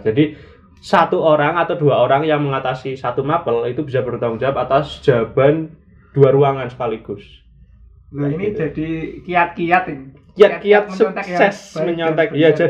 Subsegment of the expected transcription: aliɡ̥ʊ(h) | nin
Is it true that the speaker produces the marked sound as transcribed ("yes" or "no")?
no